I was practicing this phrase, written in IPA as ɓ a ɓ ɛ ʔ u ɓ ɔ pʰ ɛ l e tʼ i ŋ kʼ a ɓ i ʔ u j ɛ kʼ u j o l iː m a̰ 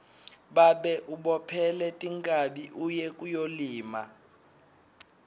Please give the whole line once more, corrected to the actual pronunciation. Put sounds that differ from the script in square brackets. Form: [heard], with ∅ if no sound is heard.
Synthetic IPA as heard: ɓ a ɓ ɛ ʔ u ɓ ɔ pʰ ɛ l [ɛ] tʼ i ŋ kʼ a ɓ i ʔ u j ɛ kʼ u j o l iː m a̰